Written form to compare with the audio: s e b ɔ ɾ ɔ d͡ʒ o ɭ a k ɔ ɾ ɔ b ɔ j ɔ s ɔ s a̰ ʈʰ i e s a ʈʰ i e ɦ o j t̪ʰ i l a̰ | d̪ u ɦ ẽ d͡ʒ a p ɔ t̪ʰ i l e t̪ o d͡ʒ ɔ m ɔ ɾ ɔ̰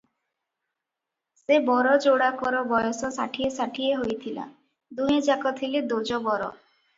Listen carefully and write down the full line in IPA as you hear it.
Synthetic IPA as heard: s e b ɔ ɾ ɔ d͡ʒ o ɽ a k ɔ ɾ ɔ b ɔ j ɔ s ɔ s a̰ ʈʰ i e s a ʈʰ i e ɦ o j t̪ʰ i l a̰ | d̪ u ɦ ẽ d͡ʒ a k ɔ t̪ʰ i l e d̪ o d͡ʒ ɔ b ɔ ɾ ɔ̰

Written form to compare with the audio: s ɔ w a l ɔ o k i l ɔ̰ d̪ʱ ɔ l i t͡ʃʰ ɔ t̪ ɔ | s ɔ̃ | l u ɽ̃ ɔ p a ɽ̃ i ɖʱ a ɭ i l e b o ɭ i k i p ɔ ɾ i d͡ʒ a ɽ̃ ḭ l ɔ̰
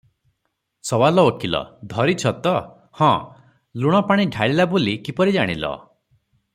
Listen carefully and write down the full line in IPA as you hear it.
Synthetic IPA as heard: s ɔ w a l ɔ o k i l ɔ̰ d̪ʱ ɔ ɾ i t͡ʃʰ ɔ t̪ ɔ | h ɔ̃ | l u ɽ̃ ɔ p a ɽ̃ i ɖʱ a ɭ i l a b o l i k i p ɔ ɾ i d͡ʒ a ɽ̃ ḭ l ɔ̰

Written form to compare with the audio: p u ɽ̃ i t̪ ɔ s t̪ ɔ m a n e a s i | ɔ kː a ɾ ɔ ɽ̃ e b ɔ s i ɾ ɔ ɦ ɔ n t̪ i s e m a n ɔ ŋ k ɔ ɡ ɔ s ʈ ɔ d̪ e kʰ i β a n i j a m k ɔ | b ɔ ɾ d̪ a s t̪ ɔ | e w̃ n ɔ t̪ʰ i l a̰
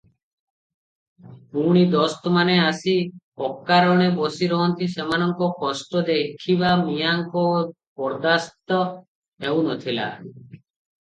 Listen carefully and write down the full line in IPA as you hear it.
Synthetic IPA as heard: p u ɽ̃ i d̪ ɔ s t̪ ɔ m a n e a s i | ɔ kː a ɾ ɔ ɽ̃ e b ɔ s i ɾ ɔ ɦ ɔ n t̪ i s e m a n ɔ ŋ k ɔ k ɔ s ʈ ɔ d̪ e kʰ i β a m i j a ŋ k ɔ | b ɔ ɾ d̪ a s t̪ ɔ | e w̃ n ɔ t̪ʰ i l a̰

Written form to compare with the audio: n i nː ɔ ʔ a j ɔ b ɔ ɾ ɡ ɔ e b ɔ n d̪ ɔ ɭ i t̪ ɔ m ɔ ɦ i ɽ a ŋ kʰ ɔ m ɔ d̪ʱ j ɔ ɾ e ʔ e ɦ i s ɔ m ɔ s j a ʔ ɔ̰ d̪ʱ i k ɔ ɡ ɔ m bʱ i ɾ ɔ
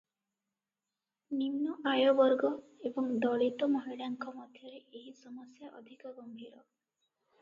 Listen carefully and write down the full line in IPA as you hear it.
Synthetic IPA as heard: n i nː ɔ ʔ a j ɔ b ɔ ɾ ɡ ɔ e b ɔ ŋ d̪ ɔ ɭ i t̪ ɔ m ɔ ɦ i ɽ a ŋ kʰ ɔ m ɔ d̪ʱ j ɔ ɾ e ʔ e ɦ i s ɔ m ɔ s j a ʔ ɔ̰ d̪ʱ i k ɔ ɡ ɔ m bʱ i ɾ ɔ

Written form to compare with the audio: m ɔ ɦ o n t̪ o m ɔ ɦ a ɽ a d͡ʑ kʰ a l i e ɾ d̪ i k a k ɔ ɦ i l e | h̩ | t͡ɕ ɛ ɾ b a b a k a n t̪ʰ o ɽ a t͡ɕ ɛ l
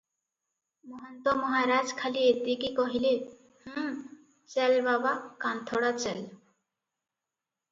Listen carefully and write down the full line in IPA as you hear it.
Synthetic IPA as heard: m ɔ ɦ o n t̪ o m ɔ ɦ a ɾ a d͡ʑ kʰ a l i e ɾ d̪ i k i k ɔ ɦ i l e | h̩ | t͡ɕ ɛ l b a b a k a n t̪ʰ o ɽ a t͡ɕ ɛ l

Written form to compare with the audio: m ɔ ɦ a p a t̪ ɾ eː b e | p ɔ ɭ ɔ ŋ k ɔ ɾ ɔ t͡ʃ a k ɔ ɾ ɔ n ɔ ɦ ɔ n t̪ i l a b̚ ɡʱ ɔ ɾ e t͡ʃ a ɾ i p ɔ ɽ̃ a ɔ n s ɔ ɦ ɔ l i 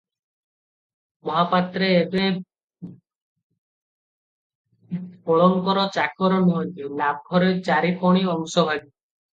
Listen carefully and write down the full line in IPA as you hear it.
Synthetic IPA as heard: m ɔ ɦ a p a t̪ ɾ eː b e | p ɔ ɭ ɔ ŋ k ɔ ɾ ɔ t͡ʃ a k ɔ ɾ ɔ n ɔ ɦ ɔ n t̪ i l a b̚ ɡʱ ɔ ɾ e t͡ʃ a ɾ i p ɔ ɽ̃ i ɔ ŋ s ɔ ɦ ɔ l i

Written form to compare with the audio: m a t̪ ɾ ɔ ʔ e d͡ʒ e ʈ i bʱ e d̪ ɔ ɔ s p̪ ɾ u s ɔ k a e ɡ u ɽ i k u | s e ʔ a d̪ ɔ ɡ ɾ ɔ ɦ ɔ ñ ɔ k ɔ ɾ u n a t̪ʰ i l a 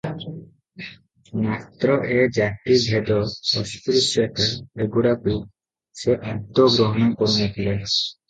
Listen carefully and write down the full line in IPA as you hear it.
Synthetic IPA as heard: m a t̪ ɾ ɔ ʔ e d͡ʒ a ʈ i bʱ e d̪ ɔ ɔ s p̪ ɾ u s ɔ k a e ɡ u ɽ a k u | s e ʔ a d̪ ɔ ɡ ɾ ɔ ɦ ɔ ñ ɔ k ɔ ɾ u n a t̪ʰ i l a

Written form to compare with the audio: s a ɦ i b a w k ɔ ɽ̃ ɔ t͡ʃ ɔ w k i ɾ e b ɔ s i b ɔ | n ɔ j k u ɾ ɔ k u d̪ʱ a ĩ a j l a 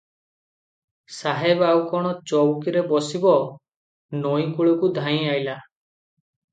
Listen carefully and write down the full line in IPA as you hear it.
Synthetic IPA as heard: s a ɦ e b a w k ɔ ɽ̃ ɔ t͡ʃ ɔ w k i ɾ e b ɔ s i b ɔ | n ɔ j k u ɭ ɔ k u d̪ʱ a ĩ a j l a

